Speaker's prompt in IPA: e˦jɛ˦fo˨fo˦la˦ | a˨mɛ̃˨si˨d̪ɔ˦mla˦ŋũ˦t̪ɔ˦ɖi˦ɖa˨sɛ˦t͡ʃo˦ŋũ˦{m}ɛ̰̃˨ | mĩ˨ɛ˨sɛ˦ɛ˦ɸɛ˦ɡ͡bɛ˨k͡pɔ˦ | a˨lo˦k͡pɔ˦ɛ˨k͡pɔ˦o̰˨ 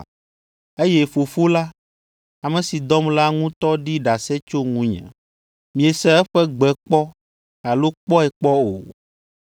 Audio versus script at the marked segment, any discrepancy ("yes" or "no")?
yes